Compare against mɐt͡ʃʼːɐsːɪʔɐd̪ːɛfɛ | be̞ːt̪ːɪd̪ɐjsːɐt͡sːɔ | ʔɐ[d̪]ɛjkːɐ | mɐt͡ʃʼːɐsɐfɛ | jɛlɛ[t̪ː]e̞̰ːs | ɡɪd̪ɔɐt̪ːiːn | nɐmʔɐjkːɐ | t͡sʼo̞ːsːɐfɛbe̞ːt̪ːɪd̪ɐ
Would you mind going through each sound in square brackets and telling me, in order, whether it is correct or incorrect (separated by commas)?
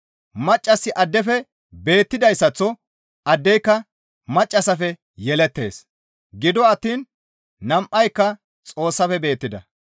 incorrect, correct